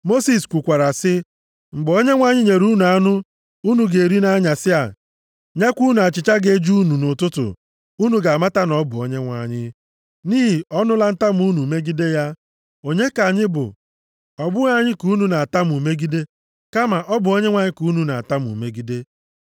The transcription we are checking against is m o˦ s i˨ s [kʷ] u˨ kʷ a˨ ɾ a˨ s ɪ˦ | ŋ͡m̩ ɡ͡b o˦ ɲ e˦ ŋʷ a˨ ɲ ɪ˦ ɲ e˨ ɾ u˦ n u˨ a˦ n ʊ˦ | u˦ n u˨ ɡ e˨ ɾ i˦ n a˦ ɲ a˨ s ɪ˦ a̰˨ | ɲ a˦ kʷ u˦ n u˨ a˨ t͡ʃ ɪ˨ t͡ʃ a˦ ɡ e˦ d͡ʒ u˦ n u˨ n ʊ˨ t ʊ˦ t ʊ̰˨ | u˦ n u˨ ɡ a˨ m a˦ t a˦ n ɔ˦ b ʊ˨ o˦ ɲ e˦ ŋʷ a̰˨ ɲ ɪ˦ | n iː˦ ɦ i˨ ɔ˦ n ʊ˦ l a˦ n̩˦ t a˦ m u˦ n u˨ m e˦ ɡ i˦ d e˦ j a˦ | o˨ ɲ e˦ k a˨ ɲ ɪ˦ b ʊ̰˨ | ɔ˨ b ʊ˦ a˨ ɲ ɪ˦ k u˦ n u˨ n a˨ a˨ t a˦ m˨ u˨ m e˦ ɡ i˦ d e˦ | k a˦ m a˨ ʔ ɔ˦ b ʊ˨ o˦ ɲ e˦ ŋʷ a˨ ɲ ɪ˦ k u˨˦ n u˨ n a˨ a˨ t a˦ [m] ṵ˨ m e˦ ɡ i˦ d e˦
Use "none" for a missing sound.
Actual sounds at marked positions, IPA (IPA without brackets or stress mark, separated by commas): kʷ, m